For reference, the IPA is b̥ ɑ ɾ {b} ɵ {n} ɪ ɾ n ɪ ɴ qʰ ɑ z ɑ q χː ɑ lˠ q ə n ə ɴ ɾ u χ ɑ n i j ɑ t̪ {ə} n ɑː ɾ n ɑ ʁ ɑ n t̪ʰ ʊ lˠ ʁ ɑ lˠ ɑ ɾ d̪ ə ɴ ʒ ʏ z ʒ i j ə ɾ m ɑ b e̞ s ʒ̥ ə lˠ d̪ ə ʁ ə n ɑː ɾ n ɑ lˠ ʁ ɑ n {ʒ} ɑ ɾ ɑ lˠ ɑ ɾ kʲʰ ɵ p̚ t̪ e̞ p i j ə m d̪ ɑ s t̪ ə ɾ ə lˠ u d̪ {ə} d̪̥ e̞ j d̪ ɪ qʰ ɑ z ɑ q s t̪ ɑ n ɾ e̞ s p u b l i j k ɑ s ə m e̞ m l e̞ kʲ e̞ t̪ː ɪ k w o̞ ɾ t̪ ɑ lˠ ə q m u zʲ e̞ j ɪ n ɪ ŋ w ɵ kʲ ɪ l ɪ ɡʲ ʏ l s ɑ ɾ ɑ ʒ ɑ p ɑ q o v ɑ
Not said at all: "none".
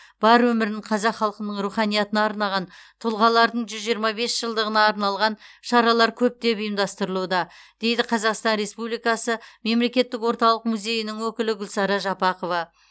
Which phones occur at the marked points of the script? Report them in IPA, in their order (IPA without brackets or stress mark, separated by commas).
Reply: w, m, ə, ʃ, ɑ